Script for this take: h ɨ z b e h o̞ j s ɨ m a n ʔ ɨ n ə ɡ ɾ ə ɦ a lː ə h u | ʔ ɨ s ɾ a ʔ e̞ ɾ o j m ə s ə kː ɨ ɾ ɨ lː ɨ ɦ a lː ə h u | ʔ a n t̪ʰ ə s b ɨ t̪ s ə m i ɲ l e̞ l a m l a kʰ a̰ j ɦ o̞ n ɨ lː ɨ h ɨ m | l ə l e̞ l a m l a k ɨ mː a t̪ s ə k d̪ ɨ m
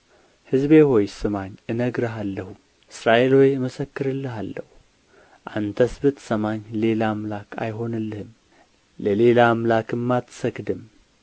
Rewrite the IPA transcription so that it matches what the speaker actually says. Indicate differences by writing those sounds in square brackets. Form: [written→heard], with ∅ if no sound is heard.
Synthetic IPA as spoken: h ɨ z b e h o̞ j s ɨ m a [n→ɲ] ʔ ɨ n ə ɡ ɾ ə ɦ a lː ə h u | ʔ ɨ s ɾ a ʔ e̞ [ɾ→l] o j m ə s ə kː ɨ ɾ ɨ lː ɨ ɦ a lː ə h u | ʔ a n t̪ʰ ə s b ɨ t̪ s ə m [i→a] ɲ l e̞ l a m l a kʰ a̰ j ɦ o̞ n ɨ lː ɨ h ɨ m | l ə l e̞ l a m l a k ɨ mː a t̪ s ə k d̪ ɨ m